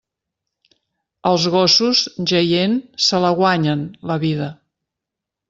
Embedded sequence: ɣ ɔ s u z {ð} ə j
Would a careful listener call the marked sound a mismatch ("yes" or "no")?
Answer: yes